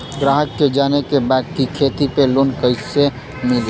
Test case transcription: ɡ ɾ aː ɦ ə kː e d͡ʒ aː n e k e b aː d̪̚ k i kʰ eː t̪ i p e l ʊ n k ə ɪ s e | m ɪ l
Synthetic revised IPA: ɡ ɾ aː ɦ ə kː e d͡ʒ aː n e k e b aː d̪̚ k i kʰ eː t̪ i p e l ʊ n k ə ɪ s e | m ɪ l